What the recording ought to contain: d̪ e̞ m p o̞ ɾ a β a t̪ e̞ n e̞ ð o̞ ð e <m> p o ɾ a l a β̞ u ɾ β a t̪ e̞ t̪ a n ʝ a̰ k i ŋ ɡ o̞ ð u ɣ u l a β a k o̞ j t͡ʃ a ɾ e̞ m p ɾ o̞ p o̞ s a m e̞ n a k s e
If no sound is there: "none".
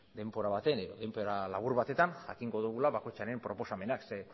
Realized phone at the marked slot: m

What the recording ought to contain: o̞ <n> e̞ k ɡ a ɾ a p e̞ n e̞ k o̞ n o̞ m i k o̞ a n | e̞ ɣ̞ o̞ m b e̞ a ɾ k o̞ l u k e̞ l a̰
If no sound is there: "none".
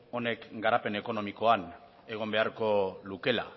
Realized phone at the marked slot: n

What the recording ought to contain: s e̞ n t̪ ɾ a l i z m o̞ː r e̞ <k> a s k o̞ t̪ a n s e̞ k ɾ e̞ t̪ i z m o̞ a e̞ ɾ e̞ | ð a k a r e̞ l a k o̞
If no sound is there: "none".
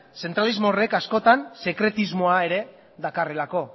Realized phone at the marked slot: k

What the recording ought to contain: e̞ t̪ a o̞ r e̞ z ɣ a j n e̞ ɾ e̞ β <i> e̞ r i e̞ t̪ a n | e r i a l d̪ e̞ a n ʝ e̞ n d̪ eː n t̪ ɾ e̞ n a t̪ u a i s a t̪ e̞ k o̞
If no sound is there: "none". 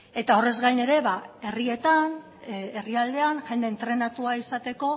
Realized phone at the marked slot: a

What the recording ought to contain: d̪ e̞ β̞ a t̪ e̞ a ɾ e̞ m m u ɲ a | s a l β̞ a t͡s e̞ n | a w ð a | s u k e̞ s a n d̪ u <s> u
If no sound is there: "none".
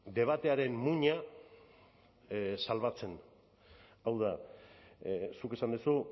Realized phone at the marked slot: s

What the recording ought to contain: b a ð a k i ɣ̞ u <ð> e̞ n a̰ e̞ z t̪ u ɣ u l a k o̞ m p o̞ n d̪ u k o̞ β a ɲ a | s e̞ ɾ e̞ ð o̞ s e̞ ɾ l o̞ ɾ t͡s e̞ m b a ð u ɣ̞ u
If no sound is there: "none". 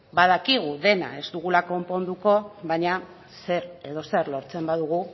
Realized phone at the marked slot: ð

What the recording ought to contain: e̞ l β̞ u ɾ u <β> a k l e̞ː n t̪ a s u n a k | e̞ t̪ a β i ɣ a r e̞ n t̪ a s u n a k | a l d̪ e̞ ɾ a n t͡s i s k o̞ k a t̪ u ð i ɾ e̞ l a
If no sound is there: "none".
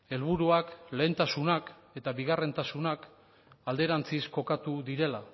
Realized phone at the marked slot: none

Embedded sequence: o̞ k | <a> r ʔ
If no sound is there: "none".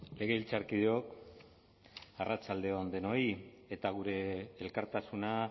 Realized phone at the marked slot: a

